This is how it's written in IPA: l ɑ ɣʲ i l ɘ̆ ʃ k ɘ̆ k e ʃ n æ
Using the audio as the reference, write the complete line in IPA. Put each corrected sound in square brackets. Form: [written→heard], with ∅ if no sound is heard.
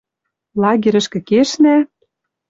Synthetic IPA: l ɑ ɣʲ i [l→ɾ] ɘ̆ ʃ k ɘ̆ k e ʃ n æ